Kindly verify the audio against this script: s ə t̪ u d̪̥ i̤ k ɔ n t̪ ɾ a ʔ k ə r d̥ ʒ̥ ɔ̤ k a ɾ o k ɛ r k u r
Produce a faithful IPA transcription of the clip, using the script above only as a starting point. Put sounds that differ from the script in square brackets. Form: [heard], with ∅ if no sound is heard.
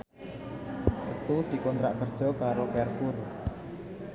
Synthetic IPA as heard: s ə t̪ u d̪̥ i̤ k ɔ n t̪ ɾ a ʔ k ə r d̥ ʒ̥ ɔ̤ k a ɾ o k ɛ r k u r

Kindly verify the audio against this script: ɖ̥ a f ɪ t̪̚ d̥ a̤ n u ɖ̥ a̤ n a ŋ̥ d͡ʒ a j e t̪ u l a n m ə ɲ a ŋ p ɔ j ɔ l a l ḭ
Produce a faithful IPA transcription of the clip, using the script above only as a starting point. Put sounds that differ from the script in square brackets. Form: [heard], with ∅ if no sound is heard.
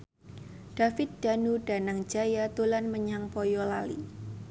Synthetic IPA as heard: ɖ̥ a f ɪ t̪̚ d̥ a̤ n u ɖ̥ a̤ n a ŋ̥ d͡ʒ a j [a] t̪ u l a n m ə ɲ a ŋ p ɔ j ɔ l a l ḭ

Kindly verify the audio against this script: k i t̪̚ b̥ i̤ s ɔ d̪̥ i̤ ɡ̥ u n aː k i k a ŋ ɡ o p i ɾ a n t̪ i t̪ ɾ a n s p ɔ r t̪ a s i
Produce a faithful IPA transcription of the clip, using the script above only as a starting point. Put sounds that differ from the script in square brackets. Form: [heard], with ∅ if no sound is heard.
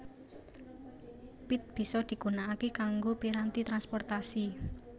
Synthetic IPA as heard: [p] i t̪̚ b̥ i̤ s ɔ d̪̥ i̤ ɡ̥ u n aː k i k a ŋ ɡ o p i ɾ a n t̪ i t̪ ɾ a n s p ɔ r t̪ a s i

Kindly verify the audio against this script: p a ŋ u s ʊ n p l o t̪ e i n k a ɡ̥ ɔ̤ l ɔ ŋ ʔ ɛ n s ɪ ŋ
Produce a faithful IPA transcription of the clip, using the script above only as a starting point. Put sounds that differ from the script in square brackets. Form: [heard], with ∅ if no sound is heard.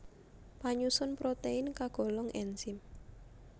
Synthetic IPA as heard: p a [ɲ] u s ʊ n p [ɾ] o t̪ e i n k a ɡ̥ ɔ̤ l ɔ ŋ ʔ ɛ n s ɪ [m]

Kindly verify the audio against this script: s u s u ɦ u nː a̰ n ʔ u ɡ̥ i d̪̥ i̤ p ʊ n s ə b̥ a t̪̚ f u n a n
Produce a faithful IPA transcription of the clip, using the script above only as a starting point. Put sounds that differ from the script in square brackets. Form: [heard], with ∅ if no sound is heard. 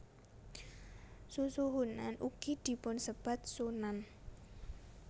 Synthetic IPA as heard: s u s u ɦ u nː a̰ n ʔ u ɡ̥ i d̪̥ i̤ p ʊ n s ə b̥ a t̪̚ [s] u n a n

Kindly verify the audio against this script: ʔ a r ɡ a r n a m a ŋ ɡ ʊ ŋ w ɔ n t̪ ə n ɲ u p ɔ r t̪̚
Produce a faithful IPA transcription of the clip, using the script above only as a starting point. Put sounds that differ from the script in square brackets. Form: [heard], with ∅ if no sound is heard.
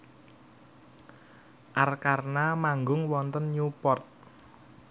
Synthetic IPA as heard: ʔ a r [k] a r n a m a ŋ ɡ ʊ ŋ w ɔ n t̪ ə n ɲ u p ɔ r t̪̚

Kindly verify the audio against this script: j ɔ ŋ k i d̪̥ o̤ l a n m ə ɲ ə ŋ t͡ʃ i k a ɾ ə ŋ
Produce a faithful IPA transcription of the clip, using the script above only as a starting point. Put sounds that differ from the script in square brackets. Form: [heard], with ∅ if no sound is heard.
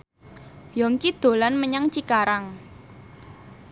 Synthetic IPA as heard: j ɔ ŋ k i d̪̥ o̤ l a n m ə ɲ [a] ŋ t͡ʃ i k a ɾ [a] ŋ

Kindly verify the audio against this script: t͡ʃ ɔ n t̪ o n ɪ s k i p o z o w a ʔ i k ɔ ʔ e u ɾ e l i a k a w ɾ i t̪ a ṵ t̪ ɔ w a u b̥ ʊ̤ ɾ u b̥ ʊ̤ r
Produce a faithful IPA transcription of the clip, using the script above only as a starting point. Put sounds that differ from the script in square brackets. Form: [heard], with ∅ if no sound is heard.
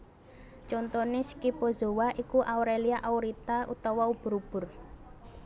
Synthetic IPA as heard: t͡ʃ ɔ n t̪ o n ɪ s k i p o z o w a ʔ i k [u] ʔ [a] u ɾ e l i a [ʔ] a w ɾ i t̪ a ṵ t̪ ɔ w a u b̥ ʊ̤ ɾ u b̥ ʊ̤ r

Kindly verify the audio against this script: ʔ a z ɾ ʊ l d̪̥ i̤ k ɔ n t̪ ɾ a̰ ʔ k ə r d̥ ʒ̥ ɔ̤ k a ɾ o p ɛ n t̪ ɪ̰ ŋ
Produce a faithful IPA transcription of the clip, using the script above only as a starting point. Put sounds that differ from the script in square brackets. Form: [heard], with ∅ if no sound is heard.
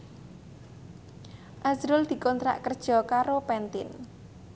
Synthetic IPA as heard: ʔ a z ɾ ʊ l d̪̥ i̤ k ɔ n t̪ ɾ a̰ ʔ k ə r d̥ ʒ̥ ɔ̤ k a ɾ o p ɛ n t̪ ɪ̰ [n]

